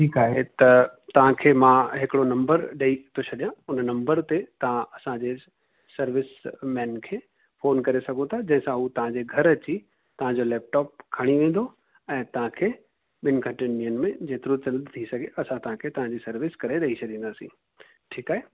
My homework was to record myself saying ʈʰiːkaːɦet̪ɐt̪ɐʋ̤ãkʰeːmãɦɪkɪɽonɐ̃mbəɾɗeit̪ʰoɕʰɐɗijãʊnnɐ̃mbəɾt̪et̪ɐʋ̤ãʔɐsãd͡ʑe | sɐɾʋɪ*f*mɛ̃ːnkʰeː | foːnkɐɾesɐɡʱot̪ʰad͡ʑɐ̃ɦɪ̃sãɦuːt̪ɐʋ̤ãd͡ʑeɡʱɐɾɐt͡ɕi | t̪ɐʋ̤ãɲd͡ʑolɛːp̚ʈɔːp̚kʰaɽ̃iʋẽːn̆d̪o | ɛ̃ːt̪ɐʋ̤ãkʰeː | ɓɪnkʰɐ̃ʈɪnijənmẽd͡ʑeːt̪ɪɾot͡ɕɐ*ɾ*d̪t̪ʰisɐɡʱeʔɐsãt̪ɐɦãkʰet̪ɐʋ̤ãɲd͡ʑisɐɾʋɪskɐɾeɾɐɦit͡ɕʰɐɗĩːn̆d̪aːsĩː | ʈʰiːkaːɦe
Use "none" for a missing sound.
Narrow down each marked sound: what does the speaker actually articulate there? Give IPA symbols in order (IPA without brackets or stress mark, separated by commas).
s, l